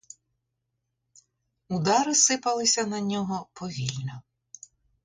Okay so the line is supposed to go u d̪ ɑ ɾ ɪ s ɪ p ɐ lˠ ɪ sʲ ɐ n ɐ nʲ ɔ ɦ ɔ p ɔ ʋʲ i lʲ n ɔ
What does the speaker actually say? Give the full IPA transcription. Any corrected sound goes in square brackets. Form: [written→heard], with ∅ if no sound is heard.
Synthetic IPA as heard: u d̪ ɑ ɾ ɪ s ɪ p ɐ lˠ ɪ sʲ ɐ n ɐ nʲ ɔ ɦ ɔ p ɔ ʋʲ i lʲ n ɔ